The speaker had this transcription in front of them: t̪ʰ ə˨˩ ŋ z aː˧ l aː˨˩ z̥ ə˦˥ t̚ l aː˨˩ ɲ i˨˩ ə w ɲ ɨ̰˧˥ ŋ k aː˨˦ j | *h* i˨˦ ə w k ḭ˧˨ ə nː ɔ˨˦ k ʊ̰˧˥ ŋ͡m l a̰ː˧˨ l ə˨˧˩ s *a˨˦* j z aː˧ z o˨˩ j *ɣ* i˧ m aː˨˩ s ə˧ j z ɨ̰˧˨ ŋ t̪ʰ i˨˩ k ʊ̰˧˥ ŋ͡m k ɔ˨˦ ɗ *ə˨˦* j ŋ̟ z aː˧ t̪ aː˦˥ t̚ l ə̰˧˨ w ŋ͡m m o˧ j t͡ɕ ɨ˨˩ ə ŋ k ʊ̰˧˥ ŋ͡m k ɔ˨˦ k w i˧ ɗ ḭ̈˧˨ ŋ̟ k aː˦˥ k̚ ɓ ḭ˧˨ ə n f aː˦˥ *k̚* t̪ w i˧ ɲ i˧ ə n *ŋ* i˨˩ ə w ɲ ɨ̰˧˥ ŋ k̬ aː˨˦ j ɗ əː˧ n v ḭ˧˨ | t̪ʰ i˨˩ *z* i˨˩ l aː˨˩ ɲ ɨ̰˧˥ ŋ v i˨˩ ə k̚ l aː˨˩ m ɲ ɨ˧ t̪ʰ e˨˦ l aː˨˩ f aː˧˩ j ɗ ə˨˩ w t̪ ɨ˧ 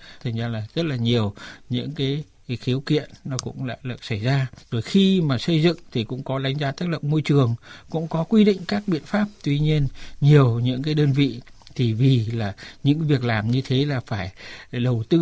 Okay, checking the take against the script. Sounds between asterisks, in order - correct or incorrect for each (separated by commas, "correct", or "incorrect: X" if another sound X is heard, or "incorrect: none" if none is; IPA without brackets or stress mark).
incorrect: x, incorrect: a˧˩, incorrect: x, incorrect: a˨˦, incorrect: p̚, incorrect: ɲ, incorrect: v